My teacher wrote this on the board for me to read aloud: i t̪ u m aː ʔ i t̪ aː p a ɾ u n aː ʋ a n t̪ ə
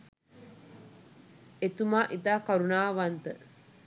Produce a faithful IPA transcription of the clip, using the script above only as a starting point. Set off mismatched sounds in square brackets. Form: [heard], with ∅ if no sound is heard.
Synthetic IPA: [e] t̪ u m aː ʔ i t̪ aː [k] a ɾ u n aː ʋ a n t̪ ə